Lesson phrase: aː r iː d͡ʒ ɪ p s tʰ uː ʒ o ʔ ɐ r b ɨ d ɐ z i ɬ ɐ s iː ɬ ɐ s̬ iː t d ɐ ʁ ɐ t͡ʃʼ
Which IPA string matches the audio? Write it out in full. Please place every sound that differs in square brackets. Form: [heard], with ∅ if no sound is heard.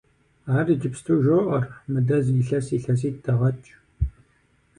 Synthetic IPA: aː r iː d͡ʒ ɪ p s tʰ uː ʒ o ʔ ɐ r [m] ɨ d ɐ z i ɬ ɐ s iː ɬ ɐ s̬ iː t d ɐ ʁ ɐ t͡ʃʼ